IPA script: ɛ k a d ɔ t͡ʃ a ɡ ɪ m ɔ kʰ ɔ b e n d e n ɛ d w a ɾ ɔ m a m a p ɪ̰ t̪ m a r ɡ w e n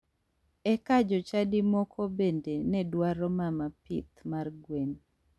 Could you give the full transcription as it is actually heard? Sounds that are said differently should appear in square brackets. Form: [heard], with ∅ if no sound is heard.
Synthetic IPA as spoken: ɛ k a [d͡ʒ] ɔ t͡ʃ a [d] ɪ m ɔ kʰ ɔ b e n d e n ɛ d w a ɾ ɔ m a m a p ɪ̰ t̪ m a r ɡ w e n